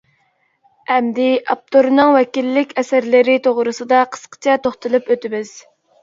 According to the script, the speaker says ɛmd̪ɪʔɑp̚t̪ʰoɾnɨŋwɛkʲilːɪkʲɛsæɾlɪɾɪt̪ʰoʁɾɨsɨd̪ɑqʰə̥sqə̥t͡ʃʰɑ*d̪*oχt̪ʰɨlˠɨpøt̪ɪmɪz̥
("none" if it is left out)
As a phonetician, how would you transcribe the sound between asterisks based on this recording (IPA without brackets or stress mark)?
t̪